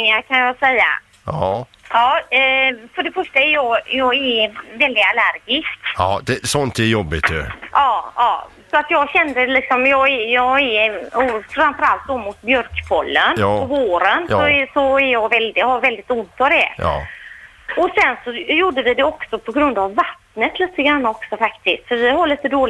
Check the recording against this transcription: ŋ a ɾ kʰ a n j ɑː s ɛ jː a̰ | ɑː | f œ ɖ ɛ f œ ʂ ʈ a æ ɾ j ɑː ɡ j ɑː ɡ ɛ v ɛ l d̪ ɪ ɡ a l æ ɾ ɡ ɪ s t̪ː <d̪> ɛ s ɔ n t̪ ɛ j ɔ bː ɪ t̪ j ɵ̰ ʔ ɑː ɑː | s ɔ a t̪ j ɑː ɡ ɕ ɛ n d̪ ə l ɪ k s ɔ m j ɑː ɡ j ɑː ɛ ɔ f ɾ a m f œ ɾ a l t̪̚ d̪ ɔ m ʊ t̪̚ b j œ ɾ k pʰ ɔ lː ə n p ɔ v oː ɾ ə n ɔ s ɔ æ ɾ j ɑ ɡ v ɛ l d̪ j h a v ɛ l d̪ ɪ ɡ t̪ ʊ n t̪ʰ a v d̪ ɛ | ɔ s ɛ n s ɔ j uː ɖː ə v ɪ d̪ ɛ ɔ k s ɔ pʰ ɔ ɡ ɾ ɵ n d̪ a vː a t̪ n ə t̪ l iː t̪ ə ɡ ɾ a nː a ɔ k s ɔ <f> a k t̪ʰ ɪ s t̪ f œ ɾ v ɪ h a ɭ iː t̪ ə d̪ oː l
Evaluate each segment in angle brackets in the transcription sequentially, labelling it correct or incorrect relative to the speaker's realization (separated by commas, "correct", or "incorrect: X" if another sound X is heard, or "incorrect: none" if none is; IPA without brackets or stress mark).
correct, correct